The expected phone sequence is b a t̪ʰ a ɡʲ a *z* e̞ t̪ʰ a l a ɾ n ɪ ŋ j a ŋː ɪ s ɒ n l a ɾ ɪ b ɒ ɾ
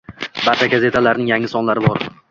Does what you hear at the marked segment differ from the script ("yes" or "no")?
no